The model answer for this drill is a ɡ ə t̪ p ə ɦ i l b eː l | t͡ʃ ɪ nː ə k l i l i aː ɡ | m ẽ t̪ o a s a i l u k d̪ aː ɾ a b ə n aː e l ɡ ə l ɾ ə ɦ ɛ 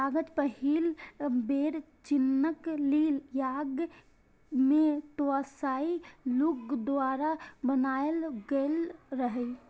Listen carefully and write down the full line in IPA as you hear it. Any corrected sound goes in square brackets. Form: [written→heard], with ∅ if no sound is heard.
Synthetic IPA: a ɡ ə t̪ p ə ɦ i l b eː [l→ɾ] | t͡ʃ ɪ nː ə k l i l [i→j] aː ɡ | m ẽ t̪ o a s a i l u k d̪ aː ɾ a b ə n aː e l ɡ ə l ɾ ə ɦ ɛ